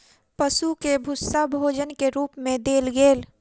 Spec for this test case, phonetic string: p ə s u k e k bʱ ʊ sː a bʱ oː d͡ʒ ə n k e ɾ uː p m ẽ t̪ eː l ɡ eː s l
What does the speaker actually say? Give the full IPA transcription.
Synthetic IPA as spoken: p ə s u k e bʱ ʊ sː a bʱ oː d͡ʒ ə n k e ɾ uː p m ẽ d̪ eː l ɡ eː l